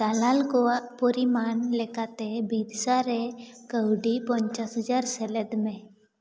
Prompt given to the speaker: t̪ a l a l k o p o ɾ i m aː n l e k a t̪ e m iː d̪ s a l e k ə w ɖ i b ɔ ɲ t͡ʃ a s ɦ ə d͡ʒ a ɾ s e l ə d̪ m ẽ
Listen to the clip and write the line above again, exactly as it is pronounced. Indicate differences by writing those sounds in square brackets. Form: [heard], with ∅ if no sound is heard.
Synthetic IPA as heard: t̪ a l a l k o p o ɾ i m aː n l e k a t̪ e [b] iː d̪ s a [ɾ] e k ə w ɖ i [p] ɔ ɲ t͡ʃ a s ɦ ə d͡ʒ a ɾ s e l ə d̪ m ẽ